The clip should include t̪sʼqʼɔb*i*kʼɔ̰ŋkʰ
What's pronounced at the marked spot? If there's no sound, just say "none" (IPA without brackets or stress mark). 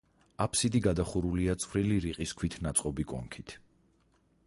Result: i